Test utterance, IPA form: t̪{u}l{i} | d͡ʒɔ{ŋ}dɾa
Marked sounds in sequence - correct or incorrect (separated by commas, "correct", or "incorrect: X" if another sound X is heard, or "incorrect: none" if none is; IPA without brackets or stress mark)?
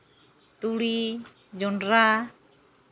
correct, correct, incorrect: n